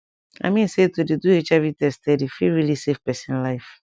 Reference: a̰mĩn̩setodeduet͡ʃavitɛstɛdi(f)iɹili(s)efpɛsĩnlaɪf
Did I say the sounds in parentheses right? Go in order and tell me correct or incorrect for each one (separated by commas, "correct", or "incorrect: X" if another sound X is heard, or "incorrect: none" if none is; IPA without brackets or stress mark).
correct, correct